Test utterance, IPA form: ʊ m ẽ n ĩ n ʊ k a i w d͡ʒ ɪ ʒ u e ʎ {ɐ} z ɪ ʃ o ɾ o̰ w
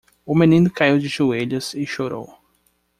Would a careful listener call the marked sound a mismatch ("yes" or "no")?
no